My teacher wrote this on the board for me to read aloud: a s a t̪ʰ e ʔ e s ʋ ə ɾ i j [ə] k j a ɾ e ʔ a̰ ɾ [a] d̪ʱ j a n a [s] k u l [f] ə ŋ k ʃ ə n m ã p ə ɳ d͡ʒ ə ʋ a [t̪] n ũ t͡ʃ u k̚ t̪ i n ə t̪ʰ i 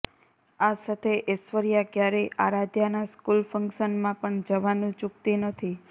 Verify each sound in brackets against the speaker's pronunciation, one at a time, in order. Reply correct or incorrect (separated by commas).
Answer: incorrect, correct, correct, correct, incorrect